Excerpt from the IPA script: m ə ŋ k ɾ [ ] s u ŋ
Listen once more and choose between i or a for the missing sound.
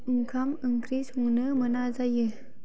i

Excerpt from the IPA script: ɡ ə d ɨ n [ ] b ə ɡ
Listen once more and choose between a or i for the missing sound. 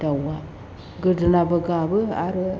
a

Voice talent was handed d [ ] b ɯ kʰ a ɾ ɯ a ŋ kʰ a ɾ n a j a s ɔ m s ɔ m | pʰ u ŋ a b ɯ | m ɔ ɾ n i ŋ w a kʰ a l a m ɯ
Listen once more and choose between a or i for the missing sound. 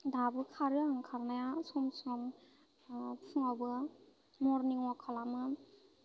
a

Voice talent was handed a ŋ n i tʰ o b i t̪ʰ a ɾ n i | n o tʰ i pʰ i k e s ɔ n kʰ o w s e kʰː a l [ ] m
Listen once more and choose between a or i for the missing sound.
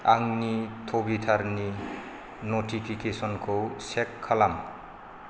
a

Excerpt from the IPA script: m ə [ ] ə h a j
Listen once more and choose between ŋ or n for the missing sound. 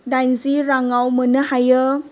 n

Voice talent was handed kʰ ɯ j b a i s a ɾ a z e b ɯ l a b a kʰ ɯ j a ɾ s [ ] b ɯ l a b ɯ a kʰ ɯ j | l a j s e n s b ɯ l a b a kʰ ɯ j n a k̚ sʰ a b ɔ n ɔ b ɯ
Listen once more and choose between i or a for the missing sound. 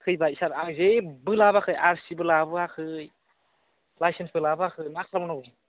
i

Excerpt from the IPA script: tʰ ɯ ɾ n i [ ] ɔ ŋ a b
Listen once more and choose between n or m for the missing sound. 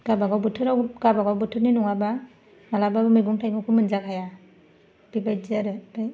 n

